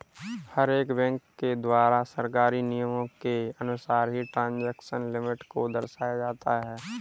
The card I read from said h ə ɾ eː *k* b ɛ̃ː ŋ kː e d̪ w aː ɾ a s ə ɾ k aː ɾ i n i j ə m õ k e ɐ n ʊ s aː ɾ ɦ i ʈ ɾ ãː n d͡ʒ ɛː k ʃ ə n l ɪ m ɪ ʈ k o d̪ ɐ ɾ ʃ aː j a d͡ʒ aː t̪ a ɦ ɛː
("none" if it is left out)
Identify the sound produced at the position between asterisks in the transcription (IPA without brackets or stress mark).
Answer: k